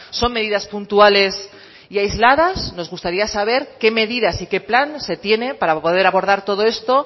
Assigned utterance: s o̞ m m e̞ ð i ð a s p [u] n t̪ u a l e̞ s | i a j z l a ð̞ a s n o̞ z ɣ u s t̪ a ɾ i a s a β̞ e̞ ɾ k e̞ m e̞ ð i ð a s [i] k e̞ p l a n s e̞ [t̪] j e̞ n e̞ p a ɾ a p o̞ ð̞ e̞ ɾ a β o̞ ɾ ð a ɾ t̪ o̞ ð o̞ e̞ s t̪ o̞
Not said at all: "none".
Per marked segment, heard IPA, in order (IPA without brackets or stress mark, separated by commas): u, i, t̪